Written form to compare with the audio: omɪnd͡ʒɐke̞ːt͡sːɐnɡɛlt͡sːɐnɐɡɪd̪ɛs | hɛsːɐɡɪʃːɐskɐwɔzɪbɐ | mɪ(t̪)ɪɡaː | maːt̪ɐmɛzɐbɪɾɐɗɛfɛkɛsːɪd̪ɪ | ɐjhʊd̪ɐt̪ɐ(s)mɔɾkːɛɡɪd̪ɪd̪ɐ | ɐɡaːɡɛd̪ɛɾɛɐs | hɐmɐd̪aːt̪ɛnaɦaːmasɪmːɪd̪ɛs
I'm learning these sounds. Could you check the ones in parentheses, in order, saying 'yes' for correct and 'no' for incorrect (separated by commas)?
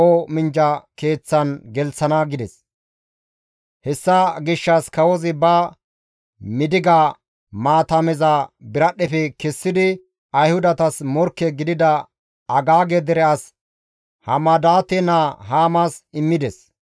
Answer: no, yes